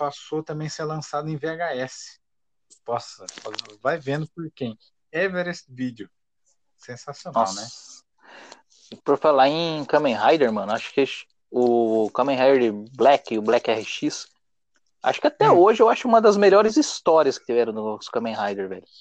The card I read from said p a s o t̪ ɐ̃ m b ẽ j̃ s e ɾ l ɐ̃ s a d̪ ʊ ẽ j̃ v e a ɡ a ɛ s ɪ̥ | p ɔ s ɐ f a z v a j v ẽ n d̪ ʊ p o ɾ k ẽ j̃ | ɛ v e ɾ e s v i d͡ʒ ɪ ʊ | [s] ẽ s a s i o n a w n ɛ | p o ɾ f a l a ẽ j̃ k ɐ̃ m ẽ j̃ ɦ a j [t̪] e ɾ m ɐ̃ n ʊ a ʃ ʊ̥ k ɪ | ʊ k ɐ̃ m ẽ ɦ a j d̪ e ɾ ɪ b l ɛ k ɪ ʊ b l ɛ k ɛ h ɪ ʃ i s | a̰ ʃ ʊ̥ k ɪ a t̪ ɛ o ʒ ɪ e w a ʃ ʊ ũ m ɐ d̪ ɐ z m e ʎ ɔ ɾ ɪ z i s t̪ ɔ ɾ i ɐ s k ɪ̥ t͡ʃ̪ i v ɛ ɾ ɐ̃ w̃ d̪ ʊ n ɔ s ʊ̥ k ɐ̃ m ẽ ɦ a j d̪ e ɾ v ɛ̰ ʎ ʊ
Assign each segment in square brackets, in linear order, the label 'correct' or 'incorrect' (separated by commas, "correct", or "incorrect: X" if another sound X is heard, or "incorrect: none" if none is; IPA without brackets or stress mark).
correct, incorrect: d̪